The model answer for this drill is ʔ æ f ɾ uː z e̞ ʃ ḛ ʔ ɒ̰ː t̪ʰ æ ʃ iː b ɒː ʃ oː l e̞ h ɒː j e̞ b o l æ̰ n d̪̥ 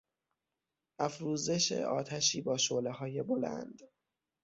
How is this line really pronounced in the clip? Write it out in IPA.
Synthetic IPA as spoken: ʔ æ f ɾ uː z e̞ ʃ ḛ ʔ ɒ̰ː t̪ʰ æ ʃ iː b ɒː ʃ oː l e̞ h ɒː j e̞ b o l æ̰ n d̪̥